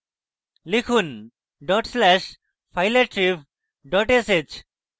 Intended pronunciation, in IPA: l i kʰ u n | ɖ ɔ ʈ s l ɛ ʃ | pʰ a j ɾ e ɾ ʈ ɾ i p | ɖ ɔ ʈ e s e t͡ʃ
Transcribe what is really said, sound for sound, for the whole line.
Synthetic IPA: l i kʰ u n | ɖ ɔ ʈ s l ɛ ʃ | pʰ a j l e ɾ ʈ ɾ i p | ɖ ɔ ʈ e s e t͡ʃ

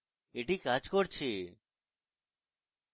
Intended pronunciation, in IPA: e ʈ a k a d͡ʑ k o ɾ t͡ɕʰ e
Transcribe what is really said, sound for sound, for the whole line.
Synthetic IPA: e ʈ i k a d͡ʑ k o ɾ t͡ɕʰ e

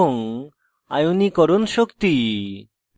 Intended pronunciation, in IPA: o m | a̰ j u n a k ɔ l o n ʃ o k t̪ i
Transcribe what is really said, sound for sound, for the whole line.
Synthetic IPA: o ŋ | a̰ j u n i k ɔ ɾ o n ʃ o k t̪ i

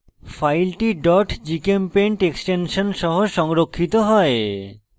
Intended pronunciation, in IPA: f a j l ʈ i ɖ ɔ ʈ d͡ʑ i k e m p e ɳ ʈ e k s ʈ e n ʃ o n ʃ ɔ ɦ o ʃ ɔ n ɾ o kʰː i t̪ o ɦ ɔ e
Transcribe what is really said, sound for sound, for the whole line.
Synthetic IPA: f a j l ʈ i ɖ ɔ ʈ d͡ʑ i k e m p e ɳ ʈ e k s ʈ e n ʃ o n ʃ ɔ ɦ o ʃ ɔ ŋ ɾ o kʰː i t̪ o ɦ ɔ e

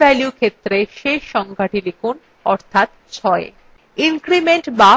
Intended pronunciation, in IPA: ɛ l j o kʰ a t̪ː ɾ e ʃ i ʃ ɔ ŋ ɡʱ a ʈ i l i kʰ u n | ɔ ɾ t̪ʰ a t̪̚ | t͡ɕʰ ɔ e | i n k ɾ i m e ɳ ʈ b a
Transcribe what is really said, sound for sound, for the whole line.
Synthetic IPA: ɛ l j u kʰ e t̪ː ɾ e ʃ e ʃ ɔ ŋ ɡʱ a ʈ i l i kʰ u n | ɔ ɾ t̪ʰ a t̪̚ | t͡ɕʰ ɔ e | i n k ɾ i m e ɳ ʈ b a

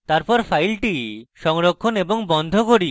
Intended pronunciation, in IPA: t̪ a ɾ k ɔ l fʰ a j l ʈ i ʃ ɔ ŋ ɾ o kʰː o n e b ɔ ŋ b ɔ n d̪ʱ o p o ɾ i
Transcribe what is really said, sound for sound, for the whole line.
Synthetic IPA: t̪ a ɾ p ɔ ɾ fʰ a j l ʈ i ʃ ɔ ŋ ɾ o kʰː o n e b o ŋ b ɔ n d̪ʱ o k o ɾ i

